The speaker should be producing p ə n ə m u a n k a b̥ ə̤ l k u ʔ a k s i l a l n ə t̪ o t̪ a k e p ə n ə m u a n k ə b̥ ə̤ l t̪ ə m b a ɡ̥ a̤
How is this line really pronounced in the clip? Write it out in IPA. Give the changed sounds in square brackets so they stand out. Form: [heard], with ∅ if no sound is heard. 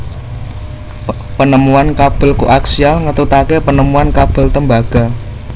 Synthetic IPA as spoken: p ə n ə m u a n k a b̥ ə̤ l k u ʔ a k s i [∅] a l [ŋ] ə t̪ [u] t̪ a k e p ə n ə m u a n k [a] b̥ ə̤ l t̪ ə m b a ɡ̥ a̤